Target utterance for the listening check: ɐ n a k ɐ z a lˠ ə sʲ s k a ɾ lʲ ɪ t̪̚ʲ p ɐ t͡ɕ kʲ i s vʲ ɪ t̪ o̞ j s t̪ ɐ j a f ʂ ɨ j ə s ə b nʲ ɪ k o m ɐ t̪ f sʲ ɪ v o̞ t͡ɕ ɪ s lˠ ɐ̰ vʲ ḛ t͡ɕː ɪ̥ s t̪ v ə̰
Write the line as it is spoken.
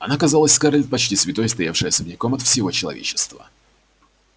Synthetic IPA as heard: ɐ n a k ɐ z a lˠ ə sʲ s k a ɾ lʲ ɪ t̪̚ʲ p ɐ t͡ɕ tʲ i s vʲ ɪ t̪ o̞ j s t̪ ɐ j a f ʂ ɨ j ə s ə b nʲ ɪ k o m ɐ t̪ f sʲ ɪ v o̞ t͡ɕ ɪ lˠ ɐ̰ vʲ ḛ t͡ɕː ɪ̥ s t̪ v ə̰